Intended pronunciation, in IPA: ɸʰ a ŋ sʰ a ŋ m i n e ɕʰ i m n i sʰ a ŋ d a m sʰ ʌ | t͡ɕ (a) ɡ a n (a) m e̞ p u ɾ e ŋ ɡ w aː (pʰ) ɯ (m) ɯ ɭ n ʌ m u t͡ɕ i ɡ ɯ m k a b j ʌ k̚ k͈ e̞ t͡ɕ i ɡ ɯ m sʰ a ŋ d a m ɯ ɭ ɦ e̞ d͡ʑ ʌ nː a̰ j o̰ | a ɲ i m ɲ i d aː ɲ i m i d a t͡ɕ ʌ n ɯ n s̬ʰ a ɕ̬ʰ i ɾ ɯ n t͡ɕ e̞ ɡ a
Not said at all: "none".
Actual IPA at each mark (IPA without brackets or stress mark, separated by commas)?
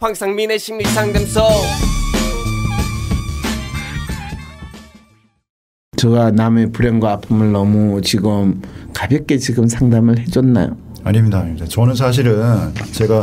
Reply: ʌ, a, pʰ, m